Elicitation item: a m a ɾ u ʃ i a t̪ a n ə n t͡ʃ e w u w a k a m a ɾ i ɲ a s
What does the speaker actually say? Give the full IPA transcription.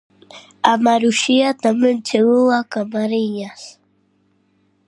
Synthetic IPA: a m a ɾ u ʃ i a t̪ a m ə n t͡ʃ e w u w a k a m a ɾ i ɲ a s